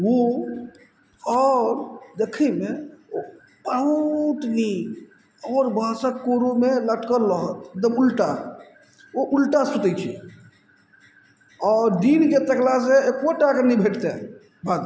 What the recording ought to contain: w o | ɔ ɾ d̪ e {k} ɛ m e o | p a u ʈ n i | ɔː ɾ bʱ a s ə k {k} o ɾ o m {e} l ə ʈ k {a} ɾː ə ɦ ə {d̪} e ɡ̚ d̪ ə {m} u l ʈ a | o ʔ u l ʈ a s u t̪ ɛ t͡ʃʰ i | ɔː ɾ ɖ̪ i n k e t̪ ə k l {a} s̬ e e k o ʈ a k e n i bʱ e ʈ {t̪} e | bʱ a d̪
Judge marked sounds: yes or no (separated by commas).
no, yes, yes, no, no, yes, yes, yes